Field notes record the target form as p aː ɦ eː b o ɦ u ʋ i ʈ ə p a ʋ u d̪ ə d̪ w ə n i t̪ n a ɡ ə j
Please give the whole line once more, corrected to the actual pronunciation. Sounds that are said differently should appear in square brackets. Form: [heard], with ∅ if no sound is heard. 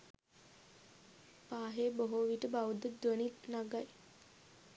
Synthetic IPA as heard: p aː ɦ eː b o ɦ [o] ʋ i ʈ ə [b] a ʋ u d̪ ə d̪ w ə n i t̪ n a ɡ [a] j